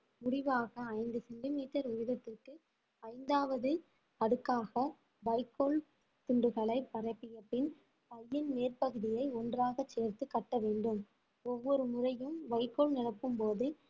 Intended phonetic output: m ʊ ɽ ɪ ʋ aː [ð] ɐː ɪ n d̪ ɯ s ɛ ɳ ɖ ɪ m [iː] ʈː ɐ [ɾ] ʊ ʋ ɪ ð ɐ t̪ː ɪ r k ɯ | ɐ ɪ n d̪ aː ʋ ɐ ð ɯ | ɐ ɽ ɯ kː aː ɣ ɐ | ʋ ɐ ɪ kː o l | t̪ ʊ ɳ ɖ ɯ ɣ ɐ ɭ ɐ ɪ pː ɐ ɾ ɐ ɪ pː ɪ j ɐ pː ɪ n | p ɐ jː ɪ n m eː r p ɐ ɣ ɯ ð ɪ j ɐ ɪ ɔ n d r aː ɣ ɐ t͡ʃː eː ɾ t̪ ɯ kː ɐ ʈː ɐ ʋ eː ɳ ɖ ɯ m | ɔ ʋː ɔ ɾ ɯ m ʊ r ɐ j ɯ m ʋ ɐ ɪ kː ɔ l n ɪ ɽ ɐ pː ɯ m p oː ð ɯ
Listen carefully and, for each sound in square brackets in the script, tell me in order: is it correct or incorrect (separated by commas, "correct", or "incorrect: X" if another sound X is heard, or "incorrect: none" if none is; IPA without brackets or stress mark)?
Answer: incorrect: ɣ, correct, correct